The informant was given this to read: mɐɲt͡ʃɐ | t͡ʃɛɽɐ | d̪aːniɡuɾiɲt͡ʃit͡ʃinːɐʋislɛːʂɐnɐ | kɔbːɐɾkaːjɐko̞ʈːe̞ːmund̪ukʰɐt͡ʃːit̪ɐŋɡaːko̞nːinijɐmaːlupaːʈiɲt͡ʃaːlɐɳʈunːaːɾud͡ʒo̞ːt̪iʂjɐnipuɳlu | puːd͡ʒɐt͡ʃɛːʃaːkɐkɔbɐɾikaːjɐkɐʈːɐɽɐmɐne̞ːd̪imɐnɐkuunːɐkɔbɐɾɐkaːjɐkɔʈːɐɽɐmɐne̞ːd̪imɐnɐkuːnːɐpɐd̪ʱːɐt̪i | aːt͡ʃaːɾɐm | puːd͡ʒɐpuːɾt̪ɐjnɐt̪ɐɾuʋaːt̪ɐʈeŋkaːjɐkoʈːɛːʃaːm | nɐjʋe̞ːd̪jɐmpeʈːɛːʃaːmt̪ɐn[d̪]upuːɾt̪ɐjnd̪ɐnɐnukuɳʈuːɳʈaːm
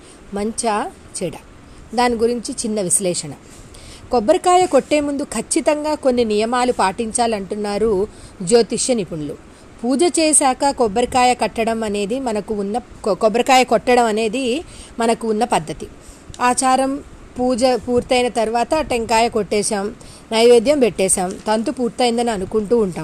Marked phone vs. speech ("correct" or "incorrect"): incorrect